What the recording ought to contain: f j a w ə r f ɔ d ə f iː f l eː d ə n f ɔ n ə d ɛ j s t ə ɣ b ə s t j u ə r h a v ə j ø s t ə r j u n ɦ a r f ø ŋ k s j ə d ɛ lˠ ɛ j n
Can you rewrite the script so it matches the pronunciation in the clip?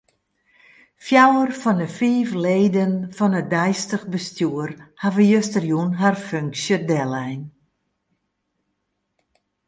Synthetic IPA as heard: f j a w ə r f ɔ n ə f iː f l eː d ə n f ɔ n ə d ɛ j s t ə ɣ b ə s t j u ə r h a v ə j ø s t ə r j u n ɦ a r f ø ŋ k s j ə d ɛ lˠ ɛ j n